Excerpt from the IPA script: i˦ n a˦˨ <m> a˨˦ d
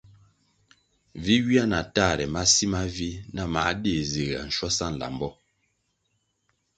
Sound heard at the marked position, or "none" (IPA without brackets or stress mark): m